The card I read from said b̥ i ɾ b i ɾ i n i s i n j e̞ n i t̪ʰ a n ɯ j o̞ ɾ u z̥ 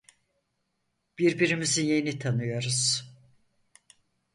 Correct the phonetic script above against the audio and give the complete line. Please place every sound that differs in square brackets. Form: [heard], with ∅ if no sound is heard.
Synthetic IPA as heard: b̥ i ɾ b i ɾ i [m] i [z] i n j e̞ n i t̪ʰ a n ɯ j o̞ ɾ u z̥